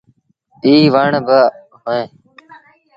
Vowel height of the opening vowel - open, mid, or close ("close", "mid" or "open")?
close